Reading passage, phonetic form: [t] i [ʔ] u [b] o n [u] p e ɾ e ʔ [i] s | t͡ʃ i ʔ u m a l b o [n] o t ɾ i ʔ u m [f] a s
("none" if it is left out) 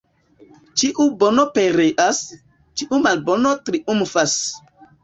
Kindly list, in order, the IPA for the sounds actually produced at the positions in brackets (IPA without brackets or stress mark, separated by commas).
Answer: t͡ʃ, ʔ, b, o, a, n, f